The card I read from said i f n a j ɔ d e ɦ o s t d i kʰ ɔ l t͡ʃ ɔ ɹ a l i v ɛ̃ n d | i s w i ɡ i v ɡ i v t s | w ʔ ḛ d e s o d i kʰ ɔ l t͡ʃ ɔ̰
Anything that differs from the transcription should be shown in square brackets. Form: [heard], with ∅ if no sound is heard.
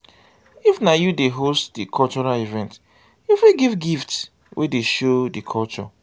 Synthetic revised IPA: i f n a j [u] d e ɦ o s t d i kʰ ɔ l t͡ʃ ɔ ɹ a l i v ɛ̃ n [t] | i [f] w i ɡ i v ɡ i [f] t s | w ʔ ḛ d e [ʃ] o d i kʰ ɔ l t͡ʃ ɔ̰